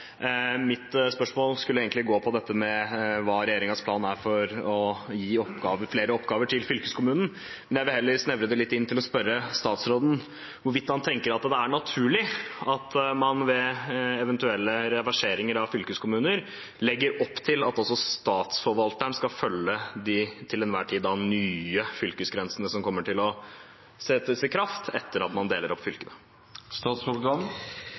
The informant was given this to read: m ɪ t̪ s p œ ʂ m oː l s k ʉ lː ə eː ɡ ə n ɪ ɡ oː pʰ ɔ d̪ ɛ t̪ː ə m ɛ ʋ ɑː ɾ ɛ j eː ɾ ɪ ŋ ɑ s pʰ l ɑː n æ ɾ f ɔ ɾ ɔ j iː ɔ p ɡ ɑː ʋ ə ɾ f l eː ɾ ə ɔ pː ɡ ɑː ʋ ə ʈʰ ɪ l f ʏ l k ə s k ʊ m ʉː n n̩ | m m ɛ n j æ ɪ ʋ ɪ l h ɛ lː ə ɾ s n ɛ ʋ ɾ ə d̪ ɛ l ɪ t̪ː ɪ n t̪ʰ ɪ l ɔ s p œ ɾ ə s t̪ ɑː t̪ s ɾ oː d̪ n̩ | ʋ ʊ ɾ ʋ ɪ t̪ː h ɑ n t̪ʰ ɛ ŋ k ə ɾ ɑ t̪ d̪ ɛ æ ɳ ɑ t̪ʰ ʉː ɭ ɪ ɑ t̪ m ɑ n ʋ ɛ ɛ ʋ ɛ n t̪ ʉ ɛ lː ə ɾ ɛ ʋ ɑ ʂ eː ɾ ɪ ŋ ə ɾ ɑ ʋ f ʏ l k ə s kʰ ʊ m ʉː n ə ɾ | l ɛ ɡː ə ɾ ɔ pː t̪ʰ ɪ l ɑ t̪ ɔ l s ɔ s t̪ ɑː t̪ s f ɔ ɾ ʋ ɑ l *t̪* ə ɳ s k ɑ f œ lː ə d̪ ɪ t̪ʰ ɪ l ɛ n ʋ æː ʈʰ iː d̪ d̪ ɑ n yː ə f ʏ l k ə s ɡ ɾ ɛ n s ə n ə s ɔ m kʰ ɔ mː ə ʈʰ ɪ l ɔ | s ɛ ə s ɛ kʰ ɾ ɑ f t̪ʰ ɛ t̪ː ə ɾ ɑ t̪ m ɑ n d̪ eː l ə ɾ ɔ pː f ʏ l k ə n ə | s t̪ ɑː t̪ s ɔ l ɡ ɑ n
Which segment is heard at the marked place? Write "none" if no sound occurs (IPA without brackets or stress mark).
t̪